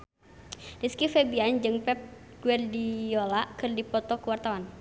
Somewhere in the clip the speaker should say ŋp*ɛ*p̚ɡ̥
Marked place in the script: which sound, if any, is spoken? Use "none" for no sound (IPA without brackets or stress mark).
ɛ